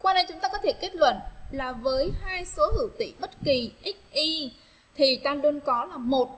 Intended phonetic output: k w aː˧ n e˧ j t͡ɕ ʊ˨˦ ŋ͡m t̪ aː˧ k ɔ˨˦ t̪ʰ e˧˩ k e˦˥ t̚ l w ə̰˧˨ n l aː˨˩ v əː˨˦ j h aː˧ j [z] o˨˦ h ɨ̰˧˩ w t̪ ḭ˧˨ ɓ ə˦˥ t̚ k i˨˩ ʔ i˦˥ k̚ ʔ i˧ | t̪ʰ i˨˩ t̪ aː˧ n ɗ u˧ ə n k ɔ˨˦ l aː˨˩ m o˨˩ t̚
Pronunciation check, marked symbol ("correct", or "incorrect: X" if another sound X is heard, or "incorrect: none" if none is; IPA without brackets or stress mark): incorrect: s